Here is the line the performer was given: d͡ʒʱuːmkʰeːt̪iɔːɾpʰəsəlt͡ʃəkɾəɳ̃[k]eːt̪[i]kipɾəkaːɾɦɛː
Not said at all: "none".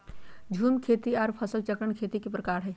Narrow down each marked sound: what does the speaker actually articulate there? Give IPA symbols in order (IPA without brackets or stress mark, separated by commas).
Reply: kʰ, i